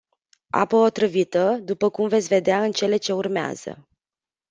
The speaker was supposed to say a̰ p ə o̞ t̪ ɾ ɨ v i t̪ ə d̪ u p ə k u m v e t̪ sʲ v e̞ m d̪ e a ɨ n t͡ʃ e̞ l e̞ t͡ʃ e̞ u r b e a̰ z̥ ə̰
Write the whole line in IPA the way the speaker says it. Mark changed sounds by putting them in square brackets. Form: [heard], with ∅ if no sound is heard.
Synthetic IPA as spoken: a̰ p ə o̞ t̪ ɾ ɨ v i t̪ ə d̪ u p ə k u m v e t̪ sʲ v e̞ [∅] d̪ e a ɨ n t͡ʃ e̞ l e̞ t͡ʃ e̞ u r [m] e a̰ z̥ ə̰

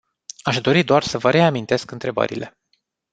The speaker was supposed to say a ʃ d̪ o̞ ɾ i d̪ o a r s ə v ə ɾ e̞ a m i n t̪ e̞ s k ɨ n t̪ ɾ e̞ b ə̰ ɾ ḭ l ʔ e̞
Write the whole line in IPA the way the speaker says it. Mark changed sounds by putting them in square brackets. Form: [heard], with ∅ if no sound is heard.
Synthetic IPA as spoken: a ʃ d̪ o̞ ɾ i d̪ o a r s ə v ə ɾ e̞ a m i n t̪ e̞ s k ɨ n t̪ ɾ e̞ b ə̰ ɾ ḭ l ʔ e̞

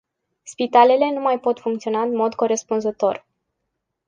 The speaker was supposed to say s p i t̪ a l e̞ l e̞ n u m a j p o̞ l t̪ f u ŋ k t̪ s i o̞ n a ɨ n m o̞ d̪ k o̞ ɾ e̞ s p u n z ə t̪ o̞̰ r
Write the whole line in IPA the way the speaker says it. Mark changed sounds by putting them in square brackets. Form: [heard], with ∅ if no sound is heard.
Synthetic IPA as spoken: s p i t̪ a l e̞ l e̞ n u m a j p o̞ [∅] t̪ f u ŋ k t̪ s i o̞ n a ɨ n m o̞ d̪ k o̞ ɾ e̞ s p u n z ə t̪ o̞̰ r

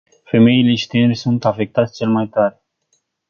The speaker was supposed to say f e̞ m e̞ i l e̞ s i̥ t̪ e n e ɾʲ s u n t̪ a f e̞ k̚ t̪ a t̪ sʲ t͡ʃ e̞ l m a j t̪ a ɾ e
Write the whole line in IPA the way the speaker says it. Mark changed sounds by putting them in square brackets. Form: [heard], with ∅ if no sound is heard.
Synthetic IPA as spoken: f e̞ m e̞ i l e̞ [ʃ] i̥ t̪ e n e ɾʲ s u n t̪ a f e̞ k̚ t̪ a t̪ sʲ t͡ʃ e̞ l m a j t̪ a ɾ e

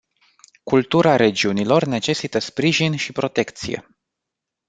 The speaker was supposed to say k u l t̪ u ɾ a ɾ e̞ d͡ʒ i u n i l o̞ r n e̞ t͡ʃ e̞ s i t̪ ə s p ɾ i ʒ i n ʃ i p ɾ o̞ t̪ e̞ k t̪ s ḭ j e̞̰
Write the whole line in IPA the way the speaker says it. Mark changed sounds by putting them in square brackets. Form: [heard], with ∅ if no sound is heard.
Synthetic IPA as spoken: k u l t̪ u ɾ a ɾ e̞ d͡ʒ i u n i l o̞ r n e̞ t͡ʃ e̞ s i t̪ ə s p ɾ i ʒ i n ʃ i p ɾ o̞ t̪ e̞ k t̪ s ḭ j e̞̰

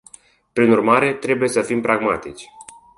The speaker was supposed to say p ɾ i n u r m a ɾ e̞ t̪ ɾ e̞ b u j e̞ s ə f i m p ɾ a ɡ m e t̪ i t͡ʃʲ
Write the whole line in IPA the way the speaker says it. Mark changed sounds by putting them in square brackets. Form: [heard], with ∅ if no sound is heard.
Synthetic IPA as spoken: p ɾ i n u r m a ɾ e̞ t̪ ɾ e̞ b u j e̞ s ə f i m p ɾ a ɡ m [a] t̪ i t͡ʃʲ

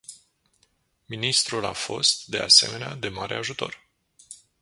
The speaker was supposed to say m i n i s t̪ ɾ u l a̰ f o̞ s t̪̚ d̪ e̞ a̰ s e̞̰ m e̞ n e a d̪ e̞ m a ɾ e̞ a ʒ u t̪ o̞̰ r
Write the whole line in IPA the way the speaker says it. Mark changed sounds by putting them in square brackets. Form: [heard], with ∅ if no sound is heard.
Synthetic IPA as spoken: m i n i s t̪ ɾ u l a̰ f o̞ s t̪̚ d̪ e̞ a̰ s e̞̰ m e̞ n e a d̪ e̞ m a ɾ e̞ a ʒ u t̪ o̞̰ r

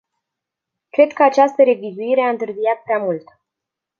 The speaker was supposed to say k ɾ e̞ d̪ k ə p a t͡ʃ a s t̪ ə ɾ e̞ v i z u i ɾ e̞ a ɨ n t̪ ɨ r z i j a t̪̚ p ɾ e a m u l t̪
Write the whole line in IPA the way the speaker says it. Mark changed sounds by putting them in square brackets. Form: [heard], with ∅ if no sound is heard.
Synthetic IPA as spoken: k ɾ e̞ d̪ k ə [∅] a t͡ʃ a s t̪ ə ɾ e̞ v i z u i ɾ e̞ a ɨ n t̪ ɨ r z i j a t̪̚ p ɾ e a m u l t̪

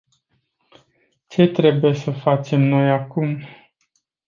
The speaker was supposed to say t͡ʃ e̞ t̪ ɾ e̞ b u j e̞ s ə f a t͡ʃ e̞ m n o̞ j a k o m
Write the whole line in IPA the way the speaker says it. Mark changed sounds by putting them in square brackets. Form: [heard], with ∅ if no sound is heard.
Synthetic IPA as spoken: t͡ʃ e̞ t̪ ɾ e̞ b u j e̞ s ə f a t͡ʃ e̞ m n o̞ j a k [u] m

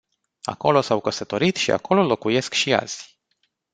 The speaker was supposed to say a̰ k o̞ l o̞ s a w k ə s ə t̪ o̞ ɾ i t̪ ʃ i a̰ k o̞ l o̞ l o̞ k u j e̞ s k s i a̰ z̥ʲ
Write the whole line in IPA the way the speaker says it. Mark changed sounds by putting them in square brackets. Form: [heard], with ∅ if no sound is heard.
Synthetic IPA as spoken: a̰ k o̞ l o̞ s a w k ə s ə t̪ o̞ ɾ i t̪ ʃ i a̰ k o̞ l o̞ l o̞ k u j e̞ s k [ʃ] i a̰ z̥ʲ

